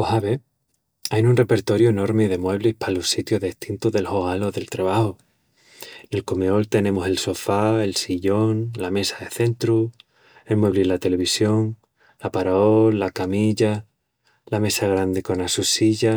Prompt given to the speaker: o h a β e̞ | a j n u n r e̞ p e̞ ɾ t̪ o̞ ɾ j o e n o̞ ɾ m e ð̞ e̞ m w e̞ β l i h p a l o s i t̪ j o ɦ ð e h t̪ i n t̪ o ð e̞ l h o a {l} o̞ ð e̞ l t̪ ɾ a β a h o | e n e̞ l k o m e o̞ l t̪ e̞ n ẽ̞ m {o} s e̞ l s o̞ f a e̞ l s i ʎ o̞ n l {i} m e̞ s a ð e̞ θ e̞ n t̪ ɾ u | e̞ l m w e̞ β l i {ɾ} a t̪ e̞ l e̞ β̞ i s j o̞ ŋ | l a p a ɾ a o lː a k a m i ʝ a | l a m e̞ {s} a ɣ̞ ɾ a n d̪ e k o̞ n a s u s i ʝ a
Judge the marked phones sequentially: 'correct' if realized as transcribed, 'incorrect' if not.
correct, correct, incorrect: a, incorrect: l, correct

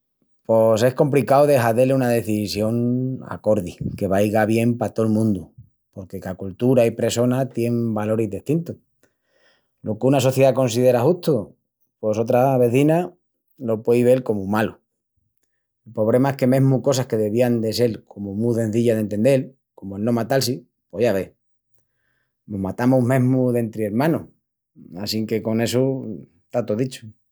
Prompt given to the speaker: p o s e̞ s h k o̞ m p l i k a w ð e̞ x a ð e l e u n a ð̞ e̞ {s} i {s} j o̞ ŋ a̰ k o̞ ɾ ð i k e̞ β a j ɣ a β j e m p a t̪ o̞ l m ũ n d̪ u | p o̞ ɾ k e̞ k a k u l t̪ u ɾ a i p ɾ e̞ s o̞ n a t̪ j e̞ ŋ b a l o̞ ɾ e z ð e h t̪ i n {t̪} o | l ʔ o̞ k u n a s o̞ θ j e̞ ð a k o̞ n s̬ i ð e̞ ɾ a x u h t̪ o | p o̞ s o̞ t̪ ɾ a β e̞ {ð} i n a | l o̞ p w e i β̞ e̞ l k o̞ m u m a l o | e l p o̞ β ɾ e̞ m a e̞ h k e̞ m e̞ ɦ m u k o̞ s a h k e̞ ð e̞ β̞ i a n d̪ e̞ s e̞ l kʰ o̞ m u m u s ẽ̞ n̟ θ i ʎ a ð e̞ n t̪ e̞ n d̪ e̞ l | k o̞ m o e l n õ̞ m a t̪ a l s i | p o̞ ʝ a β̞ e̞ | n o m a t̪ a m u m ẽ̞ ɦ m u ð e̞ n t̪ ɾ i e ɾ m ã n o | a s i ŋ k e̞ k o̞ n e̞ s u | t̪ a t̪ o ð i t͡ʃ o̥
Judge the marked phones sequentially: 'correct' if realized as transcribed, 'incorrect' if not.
incorrect: θ, correct, correct, incorrect: θ

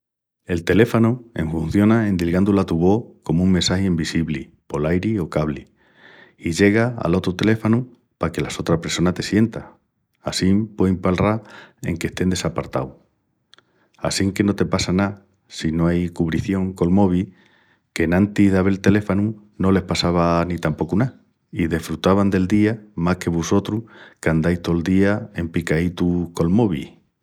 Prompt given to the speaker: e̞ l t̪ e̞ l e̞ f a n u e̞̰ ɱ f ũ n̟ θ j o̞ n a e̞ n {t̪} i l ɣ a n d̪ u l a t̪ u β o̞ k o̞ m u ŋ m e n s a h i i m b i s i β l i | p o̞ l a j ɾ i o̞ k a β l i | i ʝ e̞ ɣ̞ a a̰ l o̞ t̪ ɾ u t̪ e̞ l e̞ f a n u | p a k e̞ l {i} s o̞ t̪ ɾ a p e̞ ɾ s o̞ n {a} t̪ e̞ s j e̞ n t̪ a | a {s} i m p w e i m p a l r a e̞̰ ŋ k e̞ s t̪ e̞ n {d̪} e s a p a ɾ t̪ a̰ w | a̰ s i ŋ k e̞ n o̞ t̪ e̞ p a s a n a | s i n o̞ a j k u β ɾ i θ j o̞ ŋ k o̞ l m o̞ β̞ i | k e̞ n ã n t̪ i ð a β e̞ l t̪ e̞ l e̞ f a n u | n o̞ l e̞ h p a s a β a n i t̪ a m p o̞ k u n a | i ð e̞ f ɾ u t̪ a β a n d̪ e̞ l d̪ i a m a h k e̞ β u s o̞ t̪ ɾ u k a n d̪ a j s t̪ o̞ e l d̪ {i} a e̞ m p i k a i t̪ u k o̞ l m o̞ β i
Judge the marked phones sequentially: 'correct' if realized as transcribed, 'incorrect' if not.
incorrect: d̪, incorrect: a, correct, correct, correct, correct

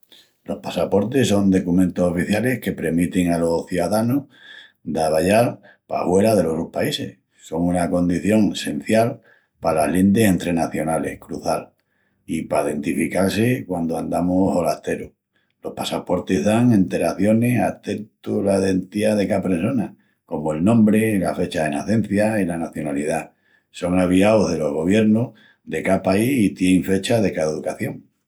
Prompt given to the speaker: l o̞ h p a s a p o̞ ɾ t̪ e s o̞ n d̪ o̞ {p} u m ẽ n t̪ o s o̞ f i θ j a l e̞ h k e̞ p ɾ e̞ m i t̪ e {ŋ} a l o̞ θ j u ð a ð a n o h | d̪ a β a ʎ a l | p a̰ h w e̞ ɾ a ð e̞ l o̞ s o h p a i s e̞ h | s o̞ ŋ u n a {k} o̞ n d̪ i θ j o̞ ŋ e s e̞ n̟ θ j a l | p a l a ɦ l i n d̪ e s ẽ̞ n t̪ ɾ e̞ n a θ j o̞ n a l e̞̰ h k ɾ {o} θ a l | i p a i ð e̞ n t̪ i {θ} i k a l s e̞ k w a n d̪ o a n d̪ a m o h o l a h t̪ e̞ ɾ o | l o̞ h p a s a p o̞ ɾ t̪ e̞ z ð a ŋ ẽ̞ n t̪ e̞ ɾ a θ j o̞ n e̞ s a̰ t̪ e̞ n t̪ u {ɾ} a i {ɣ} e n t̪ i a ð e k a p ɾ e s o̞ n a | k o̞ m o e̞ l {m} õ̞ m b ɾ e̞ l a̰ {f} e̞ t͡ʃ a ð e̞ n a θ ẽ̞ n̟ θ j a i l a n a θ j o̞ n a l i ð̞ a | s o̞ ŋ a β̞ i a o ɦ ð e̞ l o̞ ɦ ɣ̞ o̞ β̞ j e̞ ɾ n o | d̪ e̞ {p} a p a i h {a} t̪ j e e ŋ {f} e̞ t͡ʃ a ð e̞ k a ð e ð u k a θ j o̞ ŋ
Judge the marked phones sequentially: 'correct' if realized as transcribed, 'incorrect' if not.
incorrect: k, correct, correct, incorrect: u, incorrect: f, incorrect: l, incorrect: ð, incorrect: n, correct, incorrect: k, incorrect: i, correct

